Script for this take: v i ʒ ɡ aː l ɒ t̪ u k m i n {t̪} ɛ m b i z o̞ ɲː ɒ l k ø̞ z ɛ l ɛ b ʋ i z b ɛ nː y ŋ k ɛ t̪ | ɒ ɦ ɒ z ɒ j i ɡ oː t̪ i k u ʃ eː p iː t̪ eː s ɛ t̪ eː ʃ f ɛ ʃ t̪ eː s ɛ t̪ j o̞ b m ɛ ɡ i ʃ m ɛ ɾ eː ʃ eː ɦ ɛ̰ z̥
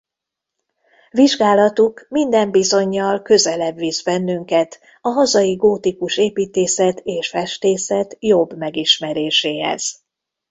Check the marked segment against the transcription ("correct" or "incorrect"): incorrect